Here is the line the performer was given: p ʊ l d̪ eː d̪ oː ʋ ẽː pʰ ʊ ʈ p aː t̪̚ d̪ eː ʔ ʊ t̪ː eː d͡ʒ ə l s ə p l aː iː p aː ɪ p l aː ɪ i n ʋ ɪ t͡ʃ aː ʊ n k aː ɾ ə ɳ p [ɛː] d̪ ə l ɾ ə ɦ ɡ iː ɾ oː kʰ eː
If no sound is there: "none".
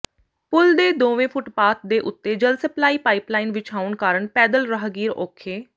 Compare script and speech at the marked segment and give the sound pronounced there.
ɛː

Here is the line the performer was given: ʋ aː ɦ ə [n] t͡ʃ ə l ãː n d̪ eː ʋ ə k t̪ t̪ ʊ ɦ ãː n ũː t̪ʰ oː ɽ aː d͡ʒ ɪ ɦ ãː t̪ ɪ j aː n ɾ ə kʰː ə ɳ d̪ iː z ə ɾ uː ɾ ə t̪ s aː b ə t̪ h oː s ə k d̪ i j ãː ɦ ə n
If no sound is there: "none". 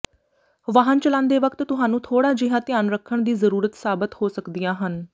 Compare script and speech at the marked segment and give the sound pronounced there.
n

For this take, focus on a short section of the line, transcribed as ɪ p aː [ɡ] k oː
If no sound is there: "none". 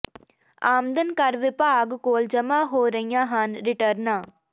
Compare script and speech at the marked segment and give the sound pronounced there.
ɡ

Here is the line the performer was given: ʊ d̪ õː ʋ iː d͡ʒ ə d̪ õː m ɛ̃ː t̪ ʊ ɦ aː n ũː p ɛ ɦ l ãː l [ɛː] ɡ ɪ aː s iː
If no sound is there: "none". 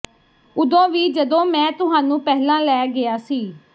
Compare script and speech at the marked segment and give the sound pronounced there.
ɛː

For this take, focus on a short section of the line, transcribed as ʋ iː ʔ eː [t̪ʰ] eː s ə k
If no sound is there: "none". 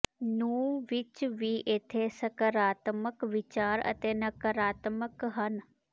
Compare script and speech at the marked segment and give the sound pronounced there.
t̪ʰ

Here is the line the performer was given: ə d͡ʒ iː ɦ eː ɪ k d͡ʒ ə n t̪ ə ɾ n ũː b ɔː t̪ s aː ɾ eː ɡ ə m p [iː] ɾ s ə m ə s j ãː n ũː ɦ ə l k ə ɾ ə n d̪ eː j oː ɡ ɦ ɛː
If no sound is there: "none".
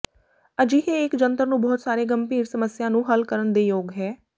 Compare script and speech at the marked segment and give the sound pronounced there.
iː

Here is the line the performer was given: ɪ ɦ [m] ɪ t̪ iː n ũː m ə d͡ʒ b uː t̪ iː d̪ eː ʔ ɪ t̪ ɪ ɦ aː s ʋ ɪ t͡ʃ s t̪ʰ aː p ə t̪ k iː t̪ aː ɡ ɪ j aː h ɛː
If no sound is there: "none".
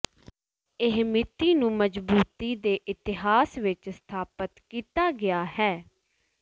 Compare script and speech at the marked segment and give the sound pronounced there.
m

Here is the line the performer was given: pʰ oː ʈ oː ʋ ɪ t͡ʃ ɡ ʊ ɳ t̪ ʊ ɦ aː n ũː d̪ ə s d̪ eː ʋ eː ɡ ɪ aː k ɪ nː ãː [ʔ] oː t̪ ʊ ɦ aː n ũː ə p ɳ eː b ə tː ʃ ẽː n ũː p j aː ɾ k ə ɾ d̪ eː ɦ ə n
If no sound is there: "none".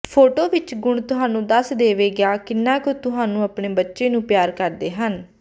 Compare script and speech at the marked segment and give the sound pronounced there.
k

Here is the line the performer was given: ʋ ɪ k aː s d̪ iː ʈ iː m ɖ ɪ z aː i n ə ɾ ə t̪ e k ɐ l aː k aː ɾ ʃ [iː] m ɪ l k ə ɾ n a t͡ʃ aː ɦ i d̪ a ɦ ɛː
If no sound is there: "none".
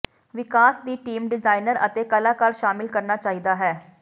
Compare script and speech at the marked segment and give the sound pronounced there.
aː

